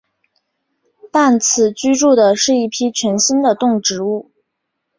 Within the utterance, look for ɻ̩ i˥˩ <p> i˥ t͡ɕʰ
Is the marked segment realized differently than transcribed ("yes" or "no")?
yes